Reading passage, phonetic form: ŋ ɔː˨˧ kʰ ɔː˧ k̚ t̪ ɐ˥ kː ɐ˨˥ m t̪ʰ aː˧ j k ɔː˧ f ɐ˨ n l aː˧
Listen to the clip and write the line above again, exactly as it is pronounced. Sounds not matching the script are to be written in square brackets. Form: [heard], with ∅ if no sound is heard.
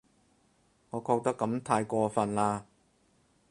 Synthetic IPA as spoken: ŋ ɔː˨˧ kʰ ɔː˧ k̚ t̪ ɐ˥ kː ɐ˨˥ m t̪ʰ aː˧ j k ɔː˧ f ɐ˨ n l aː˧